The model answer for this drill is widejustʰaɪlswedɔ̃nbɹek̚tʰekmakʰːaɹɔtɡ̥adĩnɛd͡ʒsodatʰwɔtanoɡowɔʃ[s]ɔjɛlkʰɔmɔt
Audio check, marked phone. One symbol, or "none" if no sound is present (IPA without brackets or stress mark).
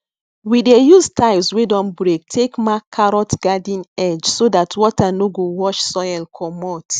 s